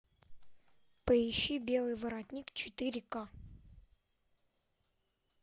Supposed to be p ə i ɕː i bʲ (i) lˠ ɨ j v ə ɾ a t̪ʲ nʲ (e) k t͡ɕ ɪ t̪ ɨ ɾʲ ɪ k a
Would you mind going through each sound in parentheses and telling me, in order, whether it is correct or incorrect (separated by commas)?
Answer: incorrect, incorrect